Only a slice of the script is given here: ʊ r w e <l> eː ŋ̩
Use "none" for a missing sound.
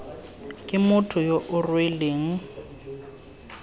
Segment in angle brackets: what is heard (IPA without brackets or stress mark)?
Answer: l